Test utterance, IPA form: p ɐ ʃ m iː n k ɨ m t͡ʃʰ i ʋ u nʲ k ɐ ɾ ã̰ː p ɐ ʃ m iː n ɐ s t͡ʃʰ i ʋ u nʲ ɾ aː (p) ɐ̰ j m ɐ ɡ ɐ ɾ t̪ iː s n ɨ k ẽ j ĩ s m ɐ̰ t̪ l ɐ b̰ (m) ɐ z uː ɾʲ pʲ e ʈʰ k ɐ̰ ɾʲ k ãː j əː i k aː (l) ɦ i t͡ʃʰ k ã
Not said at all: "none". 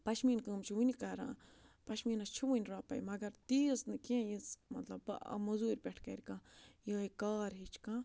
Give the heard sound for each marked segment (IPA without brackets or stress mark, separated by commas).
p, m, ɾ